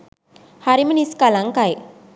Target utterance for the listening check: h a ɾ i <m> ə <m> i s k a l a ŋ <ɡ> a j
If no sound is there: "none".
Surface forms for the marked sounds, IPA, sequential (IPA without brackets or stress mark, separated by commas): m, n, k